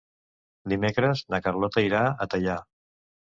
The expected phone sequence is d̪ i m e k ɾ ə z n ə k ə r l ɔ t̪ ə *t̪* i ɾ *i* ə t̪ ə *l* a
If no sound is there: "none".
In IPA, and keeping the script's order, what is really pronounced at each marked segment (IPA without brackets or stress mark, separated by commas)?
none, a, ʎ